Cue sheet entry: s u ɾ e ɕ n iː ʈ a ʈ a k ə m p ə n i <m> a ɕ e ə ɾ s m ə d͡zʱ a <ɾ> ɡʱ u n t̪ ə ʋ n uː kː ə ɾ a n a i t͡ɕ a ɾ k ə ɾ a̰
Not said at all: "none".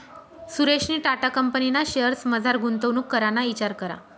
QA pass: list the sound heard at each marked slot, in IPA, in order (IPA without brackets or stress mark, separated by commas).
n, ɾ